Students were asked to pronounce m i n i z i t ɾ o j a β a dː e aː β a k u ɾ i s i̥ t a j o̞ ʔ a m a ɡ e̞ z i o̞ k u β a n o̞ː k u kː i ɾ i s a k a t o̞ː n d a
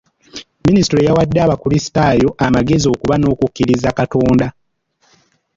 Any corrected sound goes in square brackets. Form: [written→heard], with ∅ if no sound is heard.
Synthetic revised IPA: m i n i [z→s] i t ɾ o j a [β→w] a dː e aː β a k u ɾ i s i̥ t a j o̞ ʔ a m a ɡ e̞ z i o̞ k u β a n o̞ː k u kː i ɾ i [s→z] a k a t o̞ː n d a